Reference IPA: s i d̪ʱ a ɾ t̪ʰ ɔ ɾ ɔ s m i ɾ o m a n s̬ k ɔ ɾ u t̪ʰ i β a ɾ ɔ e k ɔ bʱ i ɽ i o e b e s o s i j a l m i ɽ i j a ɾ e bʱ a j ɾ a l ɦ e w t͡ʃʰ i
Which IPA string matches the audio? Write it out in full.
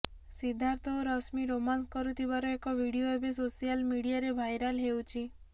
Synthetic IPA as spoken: s i d̪ʱ a ɾ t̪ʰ ɔ ɾ ɔ s m i ɾ o m a n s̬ k ɔ ɾ u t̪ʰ i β a ɾ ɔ e k ɔ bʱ i ɽ i o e b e s o s i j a l m i ɽ i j a ɾ e bʱ a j ɾ a l ɦ e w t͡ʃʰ i